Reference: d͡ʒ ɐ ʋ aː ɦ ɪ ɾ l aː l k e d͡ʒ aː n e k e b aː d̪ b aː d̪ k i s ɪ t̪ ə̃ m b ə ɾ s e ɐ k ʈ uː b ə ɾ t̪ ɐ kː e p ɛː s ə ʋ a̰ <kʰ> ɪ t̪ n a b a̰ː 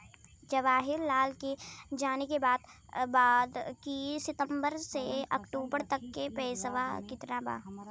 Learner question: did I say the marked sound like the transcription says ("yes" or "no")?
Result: no